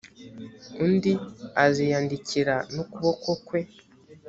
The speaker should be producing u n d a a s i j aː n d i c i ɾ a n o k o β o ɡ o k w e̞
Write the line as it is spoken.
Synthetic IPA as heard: u n d i a z i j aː n d i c i ɾ a n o k u β o k o k w e̞